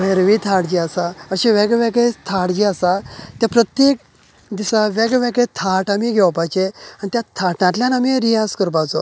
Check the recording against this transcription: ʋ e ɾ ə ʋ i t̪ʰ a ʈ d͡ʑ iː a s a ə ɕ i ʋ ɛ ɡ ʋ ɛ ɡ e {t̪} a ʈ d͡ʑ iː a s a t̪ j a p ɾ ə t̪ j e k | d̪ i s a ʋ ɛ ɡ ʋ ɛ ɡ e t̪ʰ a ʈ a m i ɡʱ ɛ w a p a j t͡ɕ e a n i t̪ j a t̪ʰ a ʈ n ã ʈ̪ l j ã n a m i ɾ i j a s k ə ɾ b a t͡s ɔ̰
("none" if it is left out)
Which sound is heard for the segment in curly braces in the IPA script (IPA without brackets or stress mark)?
t̪ʰ